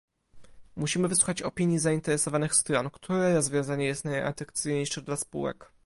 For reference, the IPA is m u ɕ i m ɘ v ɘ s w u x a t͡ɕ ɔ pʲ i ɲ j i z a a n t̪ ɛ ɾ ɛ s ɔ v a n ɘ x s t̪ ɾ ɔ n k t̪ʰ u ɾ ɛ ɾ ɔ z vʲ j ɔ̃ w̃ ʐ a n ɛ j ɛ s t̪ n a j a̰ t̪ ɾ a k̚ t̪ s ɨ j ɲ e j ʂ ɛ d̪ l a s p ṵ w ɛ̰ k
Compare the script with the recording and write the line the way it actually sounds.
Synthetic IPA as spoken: m u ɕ i m ɘ v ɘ s w u x a t͡ɕ ɔ pʲ i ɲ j i z a i n t̪ ɛ ɾ ɛ s ɔ v a n ɘ x s t̪ ɾ ɔ n k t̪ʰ u ɾ ɛ ɾ ɔ z vʲ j ɔ̃ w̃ z a ɲ ɛ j ɛ s t̪ n a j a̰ t̪ ɾ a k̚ t̪ s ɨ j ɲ e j ʂ ɛ d̪ l a s p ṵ w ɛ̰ k